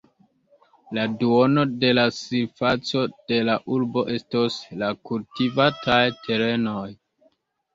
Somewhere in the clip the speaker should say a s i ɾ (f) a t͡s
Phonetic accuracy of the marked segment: correct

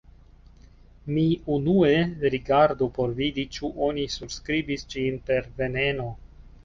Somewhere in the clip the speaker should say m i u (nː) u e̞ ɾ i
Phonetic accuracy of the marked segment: incorrect: n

